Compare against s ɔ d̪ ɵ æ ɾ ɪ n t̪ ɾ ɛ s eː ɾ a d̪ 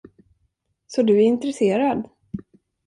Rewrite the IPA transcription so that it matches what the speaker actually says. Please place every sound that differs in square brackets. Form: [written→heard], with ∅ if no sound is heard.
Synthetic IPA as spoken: s ɔ d̪ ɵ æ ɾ ɪ n t̪ ɾ ɛ s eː ɾ a d̪

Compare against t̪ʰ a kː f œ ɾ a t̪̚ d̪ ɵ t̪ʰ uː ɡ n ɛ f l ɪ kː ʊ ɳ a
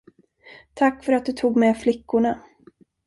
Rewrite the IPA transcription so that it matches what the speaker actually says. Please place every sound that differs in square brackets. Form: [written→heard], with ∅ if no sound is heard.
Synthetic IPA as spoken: t̪ʰ a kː f œ ɾ a t̪̚ d̪ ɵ t̪ʰ uː ɡ [n→m] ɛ f l ɪ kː ʊ ɳ a

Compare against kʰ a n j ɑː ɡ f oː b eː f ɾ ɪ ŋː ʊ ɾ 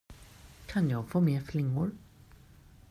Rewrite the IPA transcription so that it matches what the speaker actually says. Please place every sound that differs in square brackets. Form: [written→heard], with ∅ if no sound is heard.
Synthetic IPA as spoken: kʰ a n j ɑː ɡ f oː [b→m] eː f [ɾ→l] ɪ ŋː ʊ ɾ

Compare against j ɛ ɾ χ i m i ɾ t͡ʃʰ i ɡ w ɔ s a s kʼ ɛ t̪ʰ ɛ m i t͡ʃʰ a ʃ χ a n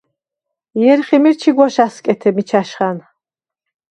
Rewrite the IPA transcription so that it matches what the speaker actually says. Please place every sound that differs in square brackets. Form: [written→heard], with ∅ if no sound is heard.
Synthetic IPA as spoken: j ɛ ɾ χ i m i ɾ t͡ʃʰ i ɡ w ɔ [s→ʃ] a s kʼ ɛ t̪ʰ ɛ m i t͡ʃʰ a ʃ χ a n

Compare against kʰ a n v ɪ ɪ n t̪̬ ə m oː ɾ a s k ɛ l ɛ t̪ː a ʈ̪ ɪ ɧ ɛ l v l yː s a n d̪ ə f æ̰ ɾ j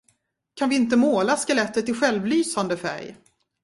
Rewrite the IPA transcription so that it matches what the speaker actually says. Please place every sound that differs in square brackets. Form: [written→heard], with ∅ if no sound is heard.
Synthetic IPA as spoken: kʰ a n v ɪ ɪ n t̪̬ ə m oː [ɾ→l] a s k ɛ l ɛ t̪ː [a→ə] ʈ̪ ɪ ɧ ɛ l v l yː s a n d̪ ə f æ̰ ɾ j

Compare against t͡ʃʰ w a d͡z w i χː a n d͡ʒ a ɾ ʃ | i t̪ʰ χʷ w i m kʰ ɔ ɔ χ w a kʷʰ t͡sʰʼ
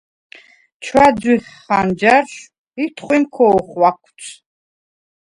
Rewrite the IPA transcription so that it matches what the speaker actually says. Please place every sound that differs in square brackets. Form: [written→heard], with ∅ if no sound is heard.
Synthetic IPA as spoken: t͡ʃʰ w a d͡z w i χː a n d͡ʒ a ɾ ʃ | i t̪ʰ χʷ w i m kʰ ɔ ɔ χ w a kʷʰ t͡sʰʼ

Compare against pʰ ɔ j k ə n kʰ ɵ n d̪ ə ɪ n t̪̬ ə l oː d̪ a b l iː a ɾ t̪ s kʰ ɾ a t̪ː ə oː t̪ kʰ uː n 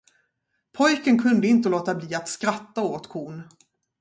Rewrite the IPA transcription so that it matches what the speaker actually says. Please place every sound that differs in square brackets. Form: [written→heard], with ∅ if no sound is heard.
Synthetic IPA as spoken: pʰ ɔ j k ə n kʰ ɵ n d̪ ə ɪ n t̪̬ ə l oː [d̪→t̪] a b l iː a [ɾ→∅] t̪ s [kʰ→k] ɾ a t̪ː [ə→a] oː t̪ kʰ uː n

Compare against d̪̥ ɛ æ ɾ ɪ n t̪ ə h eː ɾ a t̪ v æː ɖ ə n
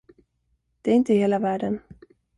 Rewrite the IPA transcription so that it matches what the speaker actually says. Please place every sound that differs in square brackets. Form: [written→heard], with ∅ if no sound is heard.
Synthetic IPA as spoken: d̪̥ ɛ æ ɾ ɪ n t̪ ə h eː [ɾ→l] a [t̪→∅] v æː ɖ ə n

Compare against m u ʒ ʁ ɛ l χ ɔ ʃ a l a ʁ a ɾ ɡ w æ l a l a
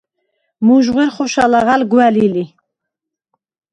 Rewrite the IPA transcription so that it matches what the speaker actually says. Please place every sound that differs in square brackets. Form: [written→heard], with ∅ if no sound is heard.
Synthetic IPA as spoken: m u ʒ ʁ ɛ [l→ɾ] χ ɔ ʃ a l a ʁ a [ɾ→l] ɡ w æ l [a→i] l [a→i]

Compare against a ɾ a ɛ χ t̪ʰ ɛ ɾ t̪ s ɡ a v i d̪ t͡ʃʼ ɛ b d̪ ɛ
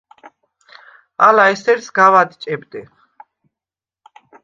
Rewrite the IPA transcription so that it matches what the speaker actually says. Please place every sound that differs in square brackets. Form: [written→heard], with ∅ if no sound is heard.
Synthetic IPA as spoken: a [ɾ→l] a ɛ [χ→s] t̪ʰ ɛ ɾ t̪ s ɡ a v [i→a] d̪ t͡ʃʼ ɛ b d̪ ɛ

